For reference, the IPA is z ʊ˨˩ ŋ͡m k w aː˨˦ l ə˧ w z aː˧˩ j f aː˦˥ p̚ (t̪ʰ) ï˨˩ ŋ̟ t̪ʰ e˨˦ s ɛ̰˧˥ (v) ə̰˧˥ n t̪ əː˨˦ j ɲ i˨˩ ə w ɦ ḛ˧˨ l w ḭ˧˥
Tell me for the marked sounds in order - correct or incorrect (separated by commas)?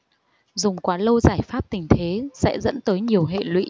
incorrect, incorrect